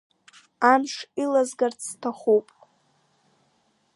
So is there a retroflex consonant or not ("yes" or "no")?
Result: yes